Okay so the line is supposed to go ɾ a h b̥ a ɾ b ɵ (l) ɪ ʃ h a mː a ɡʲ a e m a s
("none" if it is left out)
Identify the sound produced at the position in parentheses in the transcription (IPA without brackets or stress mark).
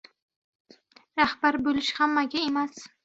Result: l